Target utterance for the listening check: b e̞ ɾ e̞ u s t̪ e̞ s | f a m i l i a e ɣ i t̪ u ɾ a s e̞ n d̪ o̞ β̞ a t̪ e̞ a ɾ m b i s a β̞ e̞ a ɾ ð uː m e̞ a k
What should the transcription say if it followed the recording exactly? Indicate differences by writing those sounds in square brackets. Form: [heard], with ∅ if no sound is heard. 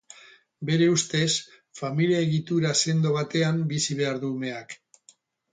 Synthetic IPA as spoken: b e̞ ɾ e̞ u s t̪ e̞ s | f a m i l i a e ɣ i t̪ u ɾ a s e̞ n d̪ o̞ β̞ a t̪ e̞ a [∅] m b i s [i] β̞ e̞ a ɾ ð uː m e̞ a k